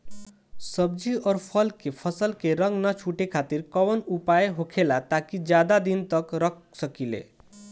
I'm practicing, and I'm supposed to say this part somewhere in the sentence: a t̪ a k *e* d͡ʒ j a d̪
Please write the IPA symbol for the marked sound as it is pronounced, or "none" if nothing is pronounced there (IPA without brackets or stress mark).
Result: i